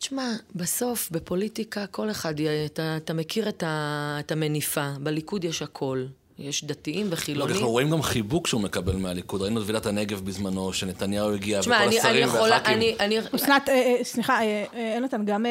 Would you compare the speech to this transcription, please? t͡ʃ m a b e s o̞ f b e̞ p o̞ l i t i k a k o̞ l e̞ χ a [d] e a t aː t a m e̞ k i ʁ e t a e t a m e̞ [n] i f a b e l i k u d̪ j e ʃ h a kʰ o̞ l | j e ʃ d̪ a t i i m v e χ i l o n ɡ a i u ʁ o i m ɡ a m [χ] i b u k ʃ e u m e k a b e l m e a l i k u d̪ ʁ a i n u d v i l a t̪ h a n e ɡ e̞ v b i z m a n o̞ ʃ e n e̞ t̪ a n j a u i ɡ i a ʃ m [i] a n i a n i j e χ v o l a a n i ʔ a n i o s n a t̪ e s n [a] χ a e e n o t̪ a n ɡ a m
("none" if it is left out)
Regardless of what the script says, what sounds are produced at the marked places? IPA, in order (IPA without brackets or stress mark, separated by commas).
d, n, χ, a, i